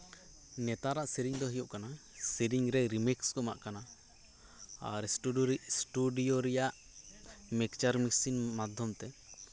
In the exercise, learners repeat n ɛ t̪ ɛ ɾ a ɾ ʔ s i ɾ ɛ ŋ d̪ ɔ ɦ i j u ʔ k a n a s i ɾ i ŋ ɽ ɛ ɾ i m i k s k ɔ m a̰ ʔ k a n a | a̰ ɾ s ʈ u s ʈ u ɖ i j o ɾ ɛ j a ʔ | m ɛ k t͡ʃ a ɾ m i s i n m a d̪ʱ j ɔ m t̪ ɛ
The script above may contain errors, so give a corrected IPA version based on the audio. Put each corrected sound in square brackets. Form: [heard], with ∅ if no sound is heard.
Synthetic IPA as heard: n ɛ t̪ [a] ɾ a [∅] ʔ s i ɾ [i] ŋ d̪ ɔ ɦ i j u ʔ k a n a s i ɾ i ŋ [ɾ] ɛ ɾ i m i k s k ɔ m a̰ ʔ k a n a | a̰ ɾ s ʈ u s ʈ u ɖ i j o ɾ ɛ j a ʔ | m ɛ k t͡ʃ a ɾ m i s i n m a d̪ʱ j ɔ m t̪ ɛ